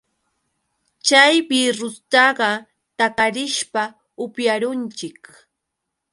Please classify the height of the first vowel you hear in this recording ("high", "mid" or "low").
low